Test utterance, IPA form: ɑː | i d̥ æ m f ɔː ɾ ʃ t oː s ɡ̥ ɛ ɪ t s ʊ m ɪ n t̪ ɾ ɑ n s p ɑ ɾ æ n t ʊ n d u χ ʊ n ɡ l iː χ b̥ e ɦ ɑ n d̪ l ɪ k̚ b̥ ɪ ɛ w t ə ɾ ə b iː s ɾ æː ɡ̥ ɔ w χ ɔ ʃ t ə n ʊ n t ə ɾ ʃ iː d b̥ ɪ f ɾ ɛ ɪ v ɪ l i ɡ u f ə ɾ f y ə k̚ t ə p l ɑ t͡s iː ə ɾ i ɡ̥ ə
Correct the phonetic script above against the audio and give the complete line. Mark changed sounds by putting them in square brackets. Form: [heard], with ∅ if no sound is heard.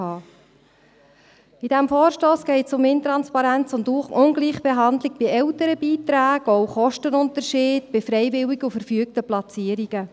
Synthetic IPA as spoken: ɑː | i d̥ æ m f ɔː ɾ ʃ t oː s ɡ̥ ɛ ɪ t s ʊ m ɪ n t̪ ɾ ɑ n s p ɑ ɾ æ n [t͡s] ʊ n d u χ ʊ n ɡ l iː χ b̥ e ɦ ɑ n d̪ l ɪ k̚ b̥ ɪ ɛ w t ə ɾ ə b iː [t] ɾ æː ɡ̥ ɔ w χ ɔ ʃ t ə n ʊ n t ə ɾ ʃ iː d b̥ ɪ f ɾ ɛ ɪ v ɪ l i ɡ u f ə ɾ f y ə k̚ t ə p l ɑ t͡s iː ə ɾ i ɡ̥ ə